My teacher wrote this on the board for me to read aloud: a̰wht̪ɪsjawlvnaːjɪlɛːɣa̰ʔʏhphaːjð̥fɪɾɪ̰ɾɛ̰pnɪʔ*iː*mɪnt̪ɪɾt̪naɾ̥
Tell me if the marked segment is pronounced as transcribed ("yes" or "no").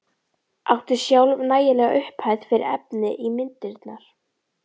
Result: no